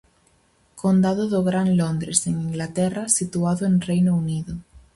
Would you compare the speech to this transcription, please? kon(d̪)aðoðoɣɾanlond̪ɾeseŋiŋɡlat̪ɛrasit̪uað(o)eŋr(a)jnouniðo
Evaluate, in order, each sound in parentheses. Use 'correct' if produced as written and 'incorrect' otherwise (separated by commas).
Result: correct, correct, incorrect